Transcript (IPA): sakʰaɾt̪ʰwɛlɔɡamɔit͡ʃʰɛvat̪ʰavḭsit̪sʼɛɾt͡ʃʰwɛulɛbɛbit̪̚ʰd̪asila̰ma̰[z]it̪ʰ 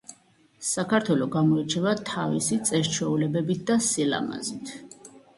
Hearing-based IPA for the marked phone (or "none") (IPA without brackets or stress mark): z